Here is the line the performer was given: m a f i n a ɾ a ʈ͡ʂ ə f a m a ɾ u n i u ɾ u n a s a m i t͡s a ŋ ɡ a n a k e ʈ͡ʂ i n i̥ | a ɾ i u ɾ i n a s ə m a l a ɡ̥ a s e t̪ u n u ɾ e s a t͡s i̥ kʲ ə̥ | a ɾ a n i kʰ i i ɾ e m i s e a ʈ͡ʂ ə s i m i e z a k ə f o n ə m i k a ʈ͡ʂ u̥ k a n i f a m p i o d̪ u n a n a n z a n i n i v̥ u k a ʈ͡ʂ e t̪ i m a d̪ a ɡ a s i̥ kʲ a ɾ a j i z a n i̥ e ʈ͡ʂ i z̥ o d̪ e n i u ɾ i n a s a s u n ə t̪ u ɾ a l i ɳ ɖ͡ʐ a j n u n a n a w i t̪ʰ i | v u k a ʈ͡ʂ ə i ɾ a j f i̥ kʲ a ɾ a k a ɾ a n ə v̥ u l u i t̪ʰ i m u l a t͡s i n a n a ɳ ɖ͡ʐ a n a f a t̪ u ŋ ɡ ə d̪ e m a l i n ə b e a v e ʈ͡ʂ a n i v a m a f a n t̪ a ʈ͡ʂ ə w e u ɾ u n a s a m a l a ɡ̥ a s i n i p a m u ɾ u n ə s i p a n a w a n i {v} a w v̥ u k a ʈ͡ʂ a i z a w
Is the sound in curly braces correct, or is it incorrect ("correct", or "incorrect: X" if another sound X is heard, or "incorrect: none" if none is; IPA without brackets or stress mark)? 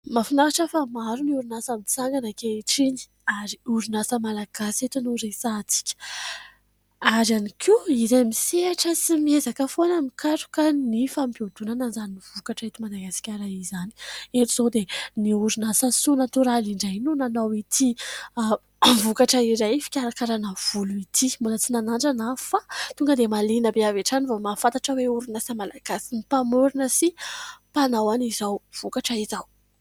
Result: incorrect: z